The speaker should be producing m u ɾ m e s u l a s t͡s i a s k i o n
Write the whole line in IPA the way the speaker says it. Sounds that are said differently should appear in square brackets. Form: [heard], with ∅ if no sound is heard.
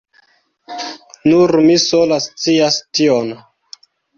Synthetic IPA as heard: [n] u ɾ m [i] s [o] l a s t͡s i a s [t] i o n